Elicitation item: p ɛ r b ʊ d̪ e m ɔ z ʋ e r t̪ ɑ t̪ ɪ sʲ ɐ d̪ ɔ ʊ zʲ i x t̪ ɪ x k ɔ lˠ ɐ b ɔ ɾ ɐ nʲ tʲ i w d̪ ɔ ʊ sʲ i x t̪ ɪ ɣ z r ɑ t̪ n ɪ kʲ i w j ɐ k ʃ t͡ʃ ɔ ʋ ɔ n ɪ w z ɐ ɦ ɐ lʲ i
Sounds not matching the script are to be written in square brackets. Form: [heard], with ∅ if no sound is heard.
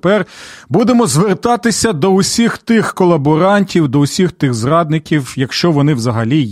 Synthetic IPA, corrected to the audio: p ɛ r b [u] d̪ e m ɔ z ʋ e r t̪ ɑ t̪ ɪ sʲ ɐ d̪ ɔ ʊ [sʲ] i x t̪ ɪ x k ɔ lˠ ɐ b ɔ ɾ [ɑ] nʲ tʲ i w d̪ ɔ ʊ sʲ i x t̪ ɪ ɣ z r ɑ [d̪] n ɪ kʲ i w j ɐ k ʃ t͡ʃ ɔ ʋ ɔ n ɪ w z ɐ ɦ ɐ lʲ i